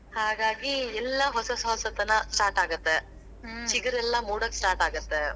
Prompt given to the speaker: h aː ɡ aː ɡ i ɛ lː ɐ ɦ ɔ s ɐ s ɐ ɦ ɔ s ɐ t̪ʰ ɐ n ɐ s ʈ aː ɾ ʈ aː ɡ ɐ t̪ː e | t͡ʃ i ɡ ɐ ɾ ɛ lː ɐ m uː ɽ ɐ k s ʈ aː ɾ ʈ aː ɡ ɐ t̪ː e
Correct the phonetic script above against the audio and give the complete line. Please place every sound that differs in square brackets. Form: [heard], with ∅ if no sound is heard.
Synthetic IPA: h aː ɡ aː ɡ i ɛ lː ɐ ɦ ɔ s ɐ s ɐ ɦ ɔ s ɐ [t̪] ɐ n ɐ s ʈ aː ɾ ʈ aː ɡ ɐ t̪ː e | t͡ʃ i ɡ ɐ ɾ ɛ lː ɐ m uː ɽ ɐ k s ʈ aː ɾ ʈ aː ɡ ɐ t̪ː e